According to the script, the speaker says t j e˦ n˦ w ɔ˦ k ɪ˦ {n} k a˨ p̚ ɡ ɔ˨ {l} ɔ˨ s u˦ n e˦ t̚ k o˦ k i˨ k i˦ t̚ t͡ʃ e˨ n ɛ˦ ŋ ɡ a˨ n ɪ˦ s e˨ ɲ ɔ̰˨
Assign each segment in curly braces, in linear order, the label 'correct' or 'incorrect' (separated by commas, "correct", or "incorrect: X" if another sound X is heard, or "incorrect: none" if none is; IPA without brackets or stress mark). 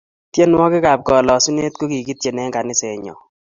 incorrect: none, correct